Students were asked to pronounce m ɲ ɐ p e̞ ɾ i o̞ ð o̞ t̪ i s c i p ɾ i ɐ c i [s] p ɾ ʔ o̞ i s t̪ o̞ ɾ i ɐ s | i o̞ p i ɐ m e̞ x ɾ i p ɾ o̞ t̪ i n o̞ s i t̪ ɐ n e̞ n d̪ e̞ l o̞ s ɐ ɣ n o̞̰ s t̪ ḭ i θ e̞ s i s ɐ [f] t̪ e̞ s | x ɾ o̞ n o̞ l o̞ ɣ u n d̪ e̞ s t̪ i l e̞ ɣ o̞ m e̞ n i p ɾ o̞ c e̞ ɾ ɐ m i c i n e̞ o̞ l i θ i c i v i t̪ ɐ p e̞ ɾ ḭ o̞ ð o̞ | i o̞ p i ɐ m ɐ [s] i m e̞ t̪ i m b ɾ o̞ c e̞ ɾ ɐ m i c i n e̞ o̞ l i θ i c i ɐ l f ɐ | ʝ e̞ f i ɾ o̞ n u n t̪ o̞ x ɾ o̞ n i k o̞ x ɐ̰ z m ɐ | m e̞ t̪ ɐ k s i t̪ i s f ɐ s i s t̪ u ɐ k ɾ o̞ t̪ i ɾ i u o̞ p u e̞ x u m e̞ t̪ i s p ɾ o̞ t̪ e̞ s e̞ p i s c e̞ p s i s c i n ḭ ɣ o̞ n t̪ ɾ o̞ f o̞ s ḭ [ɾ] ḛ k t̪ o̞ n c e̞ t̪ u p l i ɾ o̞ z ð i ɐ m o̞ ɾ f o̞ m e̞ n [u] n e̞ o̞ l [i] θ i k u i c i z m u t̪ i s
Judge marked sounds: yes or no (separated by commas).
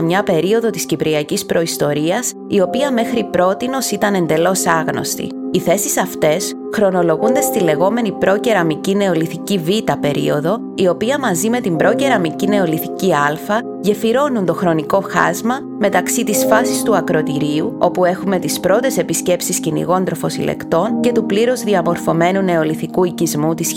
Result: yes, yes, no, no, yes, yes